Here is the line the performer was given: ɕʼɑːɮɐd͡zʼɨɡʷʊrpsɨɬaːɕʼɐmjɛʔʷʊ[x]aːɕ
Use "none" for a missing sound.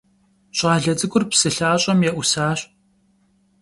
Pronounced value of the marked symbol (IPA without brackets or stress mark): s